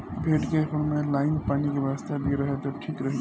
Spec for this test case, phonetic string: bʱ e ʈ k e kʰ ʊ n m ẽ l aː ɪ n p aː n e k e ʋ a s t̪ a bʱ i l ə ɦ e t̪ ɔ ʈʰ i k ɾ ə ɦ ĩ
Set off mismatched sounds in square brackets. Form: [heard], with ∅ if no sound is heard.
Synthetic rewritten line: bʱ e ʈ k e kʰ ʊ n m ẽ l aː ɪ n p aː n [i] k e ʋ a s t̪ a bʱ i [ɾ] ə ɦ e t̪ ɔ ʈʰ i k ɾ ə ɦ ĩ